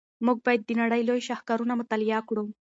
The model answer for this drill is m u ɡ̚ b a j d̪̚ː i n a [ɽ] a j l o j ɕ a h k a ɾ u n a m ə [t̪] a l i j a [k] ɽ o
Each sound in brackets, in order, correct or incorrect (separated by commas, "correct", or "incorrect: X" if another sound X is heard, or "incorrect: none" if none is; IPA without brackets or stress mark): correct, correct, correct